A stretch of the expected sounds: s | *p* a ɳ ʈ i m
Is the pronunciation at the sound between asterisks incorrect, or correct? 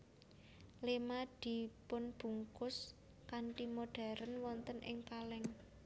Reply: incorrect